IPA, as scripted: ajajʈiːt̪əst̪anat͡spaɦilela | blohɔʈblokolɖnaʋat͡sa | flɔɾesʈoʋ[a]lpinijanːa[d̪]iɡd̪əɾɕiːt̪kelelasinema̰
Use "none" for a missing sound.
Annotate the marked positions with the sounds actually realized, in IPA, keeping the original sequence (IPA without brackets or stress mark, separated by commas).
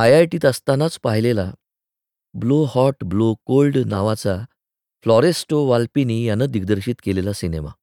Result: a, d̪